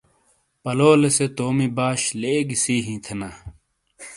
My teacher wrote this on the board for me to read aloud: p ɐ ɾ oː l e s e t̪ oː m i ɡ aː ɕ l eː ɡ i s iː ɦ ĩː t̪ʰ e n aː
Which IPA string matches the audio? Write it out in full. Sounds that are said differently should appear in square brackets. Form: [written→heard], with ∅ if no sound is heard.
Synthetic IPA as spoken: p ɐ [ɾ→l] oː l e s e t̪ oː m i [ɡ→b] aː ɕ l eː ɡ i s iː ɦ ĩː t̪ʰ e n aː